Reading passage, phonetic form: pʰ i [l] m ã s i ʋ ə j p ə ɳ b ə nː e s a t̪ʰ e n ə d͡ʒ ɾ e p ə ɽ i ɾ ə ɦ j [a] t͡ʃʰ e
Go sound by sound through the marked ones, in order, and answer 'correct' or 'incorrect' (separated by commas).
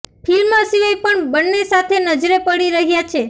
correct, correct